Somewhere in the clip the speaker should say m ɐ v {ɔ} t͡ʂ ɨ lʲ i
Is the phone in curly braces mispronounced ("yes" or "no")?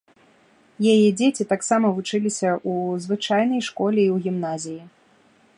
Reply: yes